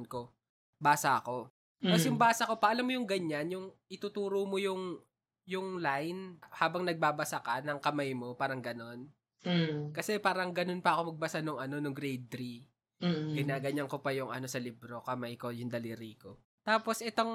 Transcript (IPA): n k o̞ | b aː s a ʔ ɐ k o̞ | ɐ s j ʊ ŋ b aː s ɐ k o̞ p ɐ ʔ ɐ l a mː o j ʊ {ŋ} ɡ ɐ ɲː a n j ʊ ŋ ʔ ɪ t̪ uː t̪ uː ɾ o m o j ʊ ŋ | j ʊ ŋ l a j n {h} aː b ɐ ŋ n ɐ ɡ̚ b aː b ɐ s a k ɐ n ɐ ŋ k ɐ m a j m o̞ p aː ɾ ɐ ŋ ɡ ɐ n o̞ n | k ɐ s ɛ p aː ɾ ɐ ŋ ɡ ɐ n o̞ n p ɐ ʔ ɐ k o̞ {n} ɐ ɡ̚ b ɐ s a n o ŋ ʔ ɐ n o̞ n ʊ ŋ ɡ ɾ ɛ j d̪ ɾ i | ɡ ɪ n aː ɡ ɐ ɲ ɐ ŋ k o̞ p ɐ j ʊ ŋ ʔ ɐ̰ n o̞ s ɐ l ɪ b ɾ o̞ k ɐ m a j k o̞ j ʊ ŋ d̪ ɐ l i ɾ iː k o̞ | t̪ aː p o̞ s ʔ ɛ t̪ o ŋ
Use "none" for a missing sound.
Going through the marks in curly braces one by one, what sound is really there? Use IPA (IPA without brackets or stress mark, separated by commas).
ŋ, h, m